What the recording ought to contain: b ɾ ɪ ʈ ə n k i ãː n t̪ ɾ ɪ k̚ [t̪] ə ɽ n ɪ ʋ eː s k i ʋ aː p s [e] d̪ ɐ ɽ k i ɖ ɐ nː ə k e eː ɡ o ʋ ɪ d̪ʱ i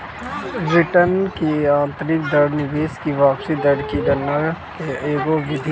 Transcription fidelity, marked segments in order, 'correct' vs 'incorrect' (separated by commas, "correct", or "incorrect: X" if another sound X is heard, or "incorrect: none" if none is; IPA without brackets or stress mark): incorrect: d̪, incorrect: i